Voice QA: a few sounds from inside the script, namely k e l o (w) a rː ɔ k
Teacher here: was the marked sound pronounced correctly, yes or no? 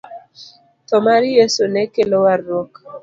yes